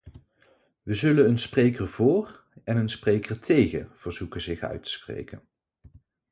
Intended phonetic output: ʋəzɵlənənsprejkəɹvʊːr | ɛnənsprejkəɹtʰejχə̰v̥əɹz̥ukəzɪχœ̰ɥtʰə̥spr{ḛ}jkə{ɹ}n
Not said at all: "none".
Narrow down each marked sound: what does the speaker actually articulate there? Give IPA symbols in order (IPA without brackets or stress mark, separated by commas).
ḛ, none